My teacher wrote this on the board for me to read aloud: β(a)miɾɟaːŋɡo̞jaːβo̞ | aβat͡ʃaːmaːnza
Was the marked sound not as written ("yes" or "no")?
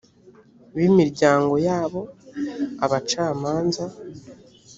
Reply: yes